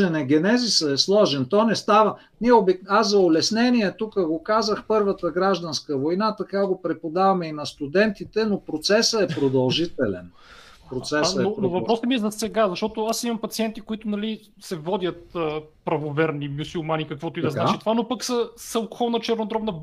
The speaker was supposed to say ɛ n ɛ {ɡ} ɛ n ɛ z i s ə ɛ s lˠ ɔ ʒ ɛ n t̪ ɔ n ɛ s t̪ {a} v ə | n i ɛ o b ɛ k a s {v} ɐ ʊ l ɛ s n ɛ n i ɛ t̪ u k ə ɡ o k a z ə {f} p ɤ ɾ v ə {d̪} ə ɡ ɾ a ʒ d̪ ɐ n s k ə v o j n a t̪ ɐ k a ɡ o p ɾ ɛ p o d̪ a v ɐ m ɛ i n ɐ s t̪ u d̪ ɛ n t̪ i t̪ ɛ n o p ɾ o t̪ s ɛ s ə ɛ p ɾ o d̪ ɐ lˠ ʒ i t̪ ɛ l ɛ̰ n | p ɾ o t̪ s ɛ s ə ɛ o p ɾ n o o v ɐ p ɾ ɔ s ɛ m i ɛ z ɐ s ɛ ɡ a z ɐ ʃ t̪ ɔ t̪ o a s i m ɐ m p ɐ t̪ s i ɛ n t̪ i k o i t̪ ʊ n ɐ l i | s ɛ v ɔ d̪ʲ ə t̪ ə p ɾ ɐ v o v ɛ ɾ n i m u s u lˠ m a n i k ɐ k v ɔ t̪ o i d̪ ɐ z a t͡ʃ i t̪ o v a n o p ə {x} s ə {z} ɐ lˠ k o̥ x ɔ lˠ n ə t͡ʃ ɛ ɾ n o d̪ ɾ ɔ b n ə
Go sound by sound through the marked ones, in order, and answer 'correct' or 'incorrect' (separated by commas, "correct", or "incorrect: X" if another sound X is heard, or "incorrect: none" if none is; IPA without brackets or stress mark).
correct, correct, incorrect: z, incorrect: x, incorrect: t̪, incorrect: k, incorrect: s